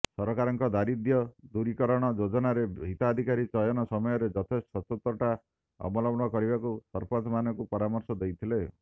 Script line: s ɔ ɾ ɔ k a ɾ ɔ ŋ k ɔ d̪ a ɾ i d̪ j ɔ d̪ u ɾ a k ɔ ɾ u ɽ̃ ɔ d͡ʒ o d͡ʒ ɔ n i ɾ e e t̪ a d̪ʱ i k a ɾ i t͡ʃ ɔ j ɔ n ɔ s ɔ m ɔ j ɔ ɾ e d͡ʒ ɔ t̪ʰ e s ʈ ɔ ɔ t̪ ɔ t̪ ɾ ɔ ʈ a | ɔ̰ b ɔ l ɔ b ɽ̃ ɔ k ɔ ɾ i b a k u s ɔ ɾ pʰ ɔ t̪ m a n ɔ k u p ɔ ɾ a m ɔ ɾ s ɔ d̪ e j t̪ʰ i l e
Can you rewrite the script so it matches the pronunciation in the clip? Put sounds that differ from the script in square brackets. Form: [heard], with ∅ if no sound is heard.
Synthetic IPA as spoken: s ɔ ɾ ɔ k a ɾ ɔ ŋ k ɔ d̪ a ɾ i d̪ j ɔ d̪ u ɾ [i] k ɔ ɾ [ɔ] ɽ̃ ɔ d͡ʒ o d͡ʒ ɔ n [a] ɾ e [i] t̪ a d̪ʱ i k a ɾ i t͡ʃ ɔ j ɔ n ɔ s ɔ m ɔ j ɔ ɾ e d͡ʒ ɔ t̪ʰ e s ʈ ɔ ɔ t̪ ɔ t̪ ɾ ɔ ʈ a | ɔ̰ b ɔ l ɔ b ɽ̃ ɔ k ɔ ɾ i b a k u s ɔ ɾ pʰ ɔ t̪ m a n ɔ k u p ɔ ɾ a m ɔ ɾ s ɔ d̪ e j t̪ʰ i l e